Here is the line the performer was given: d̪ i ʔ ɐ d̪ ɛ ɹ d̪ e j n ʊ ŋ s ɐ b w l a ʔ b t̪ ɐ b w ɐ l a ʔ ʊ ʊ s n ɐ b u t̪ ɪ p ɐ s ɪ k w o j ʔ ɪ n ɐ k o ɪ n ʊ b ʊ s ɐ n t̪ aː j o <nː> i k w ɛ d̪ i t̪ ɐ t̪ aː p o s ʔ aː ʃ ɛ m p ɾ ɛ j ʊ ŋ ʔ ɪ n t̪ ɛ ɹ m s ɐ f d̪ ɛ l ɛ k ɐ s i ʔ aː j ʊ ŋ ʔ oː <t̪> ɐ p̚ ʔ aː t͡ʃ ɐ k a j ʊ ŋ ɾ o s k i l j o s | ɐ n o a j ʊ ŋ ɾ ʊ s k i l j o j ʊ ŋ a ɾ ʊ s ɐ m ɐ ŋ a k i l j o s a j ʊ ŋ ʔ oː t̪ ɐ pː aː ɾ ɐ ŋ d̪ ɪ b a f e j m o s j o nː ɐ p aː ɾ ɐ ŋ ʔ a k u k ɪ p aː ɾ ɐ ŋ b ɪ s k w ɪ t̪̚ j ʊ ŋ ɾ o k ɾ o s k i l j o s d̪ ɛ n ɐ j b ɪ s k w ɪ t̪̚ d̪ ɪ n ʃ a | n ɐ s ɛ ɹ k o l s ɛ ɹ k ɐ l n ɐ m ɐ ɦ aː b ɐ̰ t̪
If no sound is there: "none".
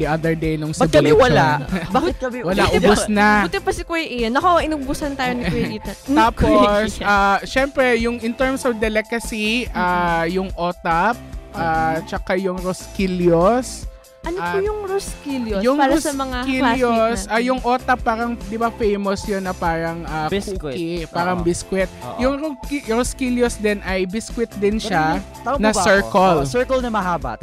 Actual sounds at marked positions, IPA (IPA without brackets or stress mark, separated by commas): n, t̪